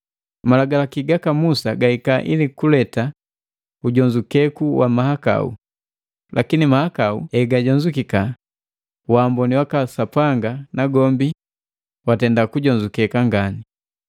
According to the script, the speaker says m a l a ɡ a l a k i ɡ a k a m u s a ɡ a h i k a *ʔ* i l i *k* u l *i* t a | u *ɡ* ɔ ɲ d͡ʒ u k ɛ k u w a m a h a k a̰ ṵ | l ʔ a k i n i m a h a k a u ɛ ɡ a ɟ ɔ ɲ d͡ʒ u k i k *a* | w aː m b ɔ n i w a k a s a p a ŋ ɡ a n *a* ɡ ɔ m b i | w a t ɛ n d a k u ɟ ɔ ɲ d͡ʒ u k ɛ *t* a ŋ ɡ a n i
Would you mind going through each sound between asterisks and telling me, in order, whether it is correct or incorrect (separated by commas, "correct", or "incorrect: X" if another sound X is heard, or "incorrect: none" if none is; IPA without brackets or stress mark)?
correct, correct, incorrect: ɛ, incorrect: ɟ, correct, correct, incorrect: k